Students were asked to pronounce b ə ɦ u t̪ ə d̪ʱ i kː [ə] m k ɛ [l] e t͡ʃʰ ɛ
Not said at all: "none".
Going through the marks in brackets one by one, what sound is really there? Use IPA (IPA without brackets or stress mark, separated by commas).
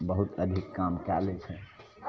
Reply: a, l